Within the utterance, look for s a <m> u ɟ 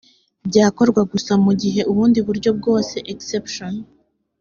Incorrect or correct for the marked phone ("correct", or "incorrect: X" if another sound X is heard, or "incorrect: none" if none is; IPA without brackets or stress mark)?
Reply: correct